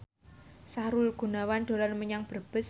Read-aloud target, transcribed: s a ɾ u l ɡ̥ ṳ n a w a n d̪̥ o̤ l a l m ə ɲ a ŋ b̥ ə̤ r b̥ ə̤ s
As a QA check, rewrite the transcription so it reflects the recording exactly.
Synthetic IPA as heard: s a ɾ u l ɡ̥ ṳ n a w a n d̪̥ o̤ l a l m ə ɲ a ŋ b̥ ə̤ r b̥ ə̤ s

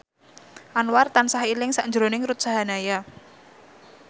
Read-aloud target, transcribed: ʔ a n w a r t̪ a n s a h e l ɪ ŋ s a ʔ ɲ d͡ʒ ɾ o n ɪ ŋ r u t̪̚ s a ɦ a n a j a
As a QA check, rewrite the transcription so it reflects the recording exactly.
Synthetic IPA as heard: ʔ a n w a r t̪ a n s a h i l ɪ ŋ s a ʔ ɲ d͡ʒ ɾ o n ɪ ŋ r u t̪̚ s a ɦ a n a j a

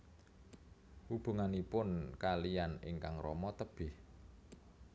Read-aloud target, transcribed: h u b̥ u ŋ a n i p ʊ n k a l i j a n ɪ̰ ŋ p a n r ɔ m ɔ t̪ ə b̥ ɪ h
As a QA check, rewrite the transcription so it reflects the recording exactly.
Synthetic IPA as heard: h u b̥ u ŋ a n i p ʊ n k a l i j a n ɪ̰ ŋ k a ŋ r ɔ m ɔ t̪ ə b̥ ɪ h

